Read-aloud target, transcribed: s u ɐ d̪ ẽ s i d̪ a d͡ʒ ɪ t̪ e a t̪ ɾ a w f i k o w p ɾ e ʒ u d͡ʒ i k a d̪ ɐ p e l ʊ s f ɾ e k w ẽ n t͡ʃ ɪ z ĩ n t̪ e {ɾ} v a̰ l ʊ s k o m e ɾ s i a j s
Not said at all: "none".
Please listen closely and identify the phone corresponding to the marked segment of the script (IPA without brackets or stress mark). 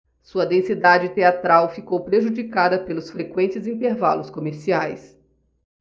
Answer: ɾ